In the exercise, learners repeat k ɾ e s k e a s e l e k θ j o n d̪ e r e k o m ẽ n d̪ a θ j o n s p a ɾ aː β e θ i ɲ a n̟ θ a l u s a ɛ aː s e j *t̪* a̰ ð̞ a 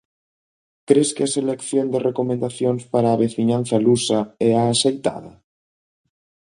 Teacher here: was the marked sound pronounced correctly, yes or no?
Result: yes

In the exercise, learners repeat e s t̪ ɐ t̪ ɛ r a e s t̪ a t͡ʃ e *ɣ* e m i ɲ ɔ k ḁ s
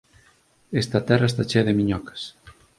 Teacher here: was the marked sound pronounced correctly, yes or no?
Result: no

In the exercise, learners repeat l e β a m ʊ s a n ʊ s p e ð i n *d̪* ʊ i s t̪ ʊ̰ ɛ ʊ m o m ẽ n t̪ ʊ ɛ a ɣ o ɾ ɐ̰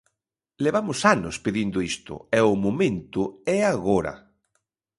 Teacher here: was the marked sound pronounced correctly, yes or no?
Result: yes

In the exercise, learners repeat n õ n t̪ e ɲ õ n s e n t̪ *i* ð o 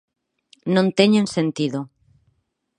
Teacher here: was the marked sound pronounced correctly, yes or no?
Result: yes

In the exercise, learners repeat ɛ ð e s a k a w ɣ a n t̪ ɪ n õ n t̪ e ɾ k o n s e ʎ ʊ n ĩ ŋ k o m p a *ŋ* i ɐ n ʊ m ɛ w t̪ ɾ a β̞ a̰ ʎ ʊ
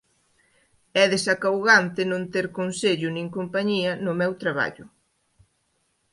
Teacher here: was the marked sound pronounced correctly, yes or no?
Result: no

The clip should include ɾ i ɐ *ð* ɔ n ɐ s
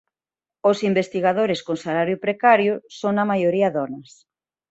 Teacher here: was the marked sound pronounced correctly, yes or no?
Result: yes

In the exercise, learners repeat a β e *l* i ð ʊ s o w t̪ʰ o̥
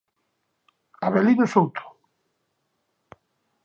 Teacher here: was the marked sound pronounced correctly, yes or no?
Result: yes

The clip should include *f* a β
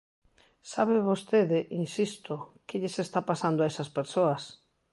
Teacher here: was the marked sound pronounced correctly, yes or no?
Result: no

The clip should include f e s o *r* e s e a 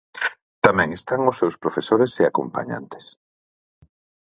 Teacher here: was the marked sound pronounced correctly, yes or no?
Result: no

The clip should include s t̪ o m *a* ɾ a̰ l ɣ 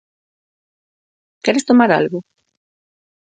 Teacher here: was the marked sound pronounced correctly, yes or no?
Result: yes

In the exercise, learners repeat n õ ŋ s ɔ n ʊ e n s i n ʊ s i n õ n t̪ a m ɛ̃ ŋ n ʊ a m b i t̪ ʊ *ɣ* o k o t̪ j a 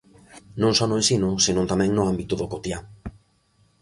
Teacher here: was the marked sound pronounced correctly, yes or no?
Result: no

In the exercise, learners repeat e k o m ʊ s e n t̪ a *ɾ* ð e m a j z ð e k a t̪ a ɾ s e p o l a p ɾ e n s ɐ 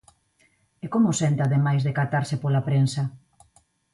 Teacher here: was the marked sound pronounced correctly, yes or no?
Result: no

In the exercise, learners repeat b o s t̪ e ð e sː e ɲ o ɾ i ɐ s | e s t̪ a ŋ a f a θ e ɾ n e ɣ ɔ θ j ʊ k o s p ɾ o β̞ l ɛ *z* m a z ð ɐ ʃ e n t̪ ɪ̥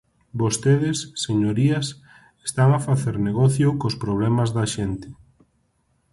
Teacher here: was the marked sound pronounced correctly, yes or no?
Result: no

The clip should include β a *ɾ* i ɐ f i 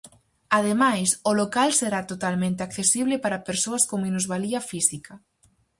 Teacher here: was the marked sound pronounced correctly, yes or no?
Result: no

